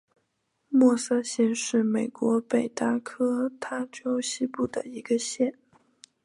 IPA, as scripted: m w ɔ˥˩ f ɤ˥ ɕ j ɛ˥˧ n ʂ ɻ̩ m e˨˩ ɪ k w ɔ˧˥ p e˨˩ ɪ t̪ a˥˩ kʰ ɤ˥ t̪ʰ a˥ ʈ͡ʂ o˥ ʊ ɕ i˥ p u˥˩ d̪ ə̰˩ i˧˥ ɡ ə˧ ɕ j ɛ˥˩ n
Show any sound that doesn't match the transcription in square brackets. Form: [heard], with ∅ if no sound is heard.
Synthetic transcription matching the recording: m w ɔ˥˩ [s] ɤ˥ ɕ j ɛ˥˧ n ʂ ɻ̩ m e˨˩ ɪ k w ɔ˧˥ p e˨˩ ɪ t̪ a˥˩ kʰ ɤ˥ t̪ʰ a˥ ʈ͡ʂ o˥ ʊ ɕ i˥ p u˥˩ d̪ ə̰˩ i˧˥ ɡ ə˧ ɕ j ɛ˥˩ n